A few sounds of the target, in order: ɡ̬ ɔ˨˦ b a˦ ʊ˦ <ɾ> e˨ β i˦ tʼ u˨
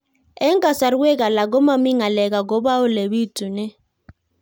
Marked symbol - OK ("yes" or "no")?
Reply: no